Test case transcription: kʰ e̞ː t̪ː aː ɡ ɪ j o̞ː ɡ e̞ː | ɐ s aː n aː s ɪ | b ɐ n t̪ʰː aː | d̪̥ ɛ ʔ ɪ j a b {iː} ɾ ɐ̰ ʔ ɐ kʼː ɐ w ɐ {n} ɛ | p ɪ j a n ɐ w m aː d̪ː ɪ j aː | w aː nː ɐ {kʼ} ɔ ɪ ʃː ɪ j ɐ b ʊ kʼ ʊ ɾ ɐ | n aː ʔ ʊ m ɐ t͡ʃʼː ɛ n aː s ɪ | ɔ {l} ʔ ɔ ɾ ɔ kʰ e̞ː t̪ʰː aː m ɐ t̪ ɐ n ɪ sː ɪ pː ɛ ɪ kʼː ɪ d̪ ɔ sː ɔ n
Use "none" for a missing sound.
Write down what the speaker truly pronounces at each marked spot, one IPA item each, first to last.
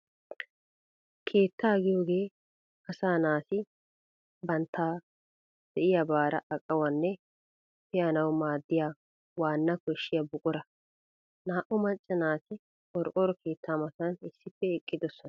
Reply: aː, nː, k, ɾ

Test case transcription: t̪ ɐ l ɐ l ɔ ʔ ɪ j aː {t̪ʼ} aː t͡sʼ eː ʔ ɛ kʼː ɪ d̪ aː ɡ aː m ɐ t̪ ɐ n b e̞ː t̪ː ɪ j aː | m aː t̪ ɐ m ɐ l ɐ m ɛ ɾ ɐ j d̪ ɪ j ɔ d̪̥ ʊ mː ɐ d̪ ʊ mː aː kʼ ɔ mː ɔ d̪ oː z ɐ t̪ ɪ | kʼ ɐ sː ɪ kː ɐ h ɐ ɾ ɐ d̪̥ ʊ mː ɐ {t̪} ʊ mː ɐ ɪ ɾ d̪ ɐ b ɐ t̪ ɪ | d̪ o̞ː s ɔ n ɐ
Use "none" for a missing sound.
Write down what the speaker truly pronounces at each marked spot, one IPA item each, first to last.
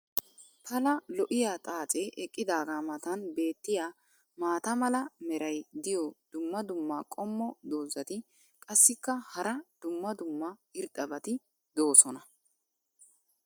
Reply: t̪ʼ, d̪

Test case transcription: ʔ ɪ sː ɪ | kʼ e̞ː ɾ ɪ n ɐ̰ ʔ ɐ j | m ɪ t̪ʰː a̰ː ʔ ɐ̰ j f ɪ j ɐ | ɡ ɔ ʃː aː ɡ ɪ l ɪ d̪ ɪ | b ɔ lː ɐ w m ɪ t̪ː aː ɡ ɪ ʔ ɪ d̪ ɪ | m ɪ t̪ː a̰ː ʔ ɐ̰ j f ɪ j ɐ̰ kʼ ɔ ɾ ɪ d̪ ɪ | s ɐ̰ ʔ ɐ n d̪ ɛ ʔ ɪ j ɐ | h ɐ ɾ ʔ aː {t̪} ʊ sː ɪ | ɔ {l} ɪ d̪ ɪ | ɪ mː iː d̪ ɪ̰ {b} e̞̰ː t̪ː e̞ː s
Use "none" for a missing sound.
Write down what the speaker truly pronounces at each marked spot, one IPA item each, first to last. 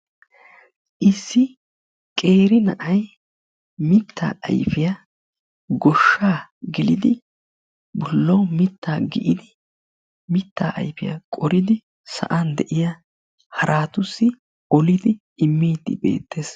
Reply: t̪, l, b

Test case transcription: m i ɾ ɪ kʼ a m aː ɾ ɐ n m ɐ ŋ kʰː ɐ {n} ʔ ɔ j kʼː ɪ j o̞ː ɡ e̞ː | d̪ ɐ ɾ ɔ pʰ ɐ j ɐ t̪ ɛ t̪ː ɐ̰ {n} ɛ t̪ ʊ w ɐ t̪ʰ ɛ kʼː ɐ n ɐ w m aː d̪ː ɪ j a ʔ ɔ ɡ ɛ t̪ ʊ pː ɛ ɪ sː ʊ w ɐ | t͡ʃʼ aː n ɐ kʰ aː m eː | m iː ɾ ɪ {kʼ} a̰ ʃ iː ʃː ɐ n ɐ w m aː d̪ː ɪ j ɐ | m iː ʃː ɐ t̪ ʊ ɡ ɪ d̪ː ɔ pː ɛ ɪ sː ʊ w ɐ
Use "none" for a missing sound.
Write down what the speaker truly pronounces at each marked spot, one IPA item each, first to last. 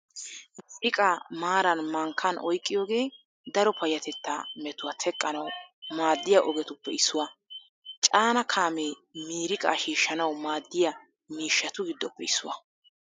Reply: n, m, kʼ

